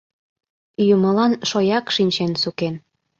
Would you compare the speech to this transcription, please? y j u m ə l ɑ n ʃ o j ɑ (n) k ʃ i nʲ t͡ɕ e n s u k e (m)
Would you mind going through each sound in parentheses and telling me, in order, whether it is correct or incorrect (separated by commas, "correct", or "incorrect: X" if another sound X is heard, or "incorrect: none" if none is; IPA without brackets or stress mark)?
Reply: incorrect: none, incorrect: n